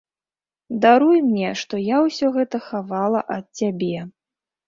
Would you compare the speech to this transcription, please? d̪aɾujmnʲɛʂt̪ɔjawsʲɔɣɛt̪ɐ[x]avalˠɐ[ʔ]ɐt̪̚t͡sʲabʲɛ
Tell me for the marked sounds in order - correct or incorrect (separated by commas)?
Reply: correct, correct